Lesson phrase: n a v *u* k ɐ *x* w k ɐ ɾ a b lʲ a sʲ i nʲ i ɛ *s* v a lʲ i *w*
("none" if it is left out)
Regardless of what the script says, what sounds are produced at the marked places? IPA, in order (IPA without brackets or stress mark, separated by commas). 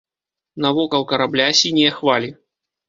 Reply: ɔ, none, x, none